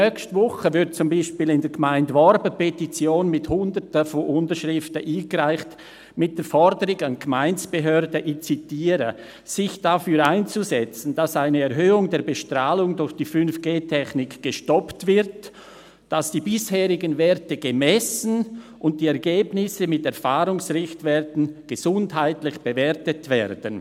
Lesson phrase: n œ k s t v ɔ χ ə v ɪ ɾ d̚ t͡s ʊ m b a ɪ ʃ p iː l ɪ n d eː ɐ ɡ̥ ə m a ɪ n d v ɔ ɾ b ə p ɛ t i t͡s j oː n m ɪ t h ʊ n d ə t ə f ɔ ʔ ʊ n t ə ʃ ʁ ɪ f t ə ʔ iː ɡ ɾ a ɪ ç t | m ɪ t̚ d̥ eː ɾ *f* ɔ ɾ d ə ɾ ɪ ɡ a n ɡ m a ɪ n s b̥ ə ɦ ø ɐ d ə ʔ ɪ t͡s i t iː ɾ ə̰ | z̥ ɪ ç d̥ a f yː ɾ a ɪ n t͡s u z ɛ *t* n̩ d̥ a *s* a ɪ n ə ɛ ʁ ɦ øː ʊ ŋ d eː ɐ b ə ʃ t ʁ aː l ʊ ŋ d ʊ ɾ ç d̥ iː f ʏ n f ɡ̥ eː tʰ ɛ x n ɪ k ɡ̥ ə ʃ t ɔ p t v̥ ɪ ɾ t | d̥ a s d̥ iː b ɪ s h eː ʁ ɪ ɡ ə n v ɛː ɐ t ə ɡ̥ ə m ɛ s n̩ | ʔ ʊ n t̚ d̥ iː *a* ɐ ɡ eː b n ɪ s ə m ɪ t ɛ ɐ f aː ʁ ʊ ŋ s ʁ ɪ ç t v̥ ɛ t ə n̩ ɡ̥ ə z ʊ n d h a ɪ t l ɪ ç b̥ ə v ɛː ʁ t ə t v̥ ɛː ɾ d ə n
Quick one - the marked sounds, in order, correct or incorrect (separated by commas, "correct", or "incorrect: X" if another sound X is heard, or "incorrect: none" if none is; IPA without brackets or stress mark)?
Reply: correct, incorrect: t͡s, correct, incorrect: ɛ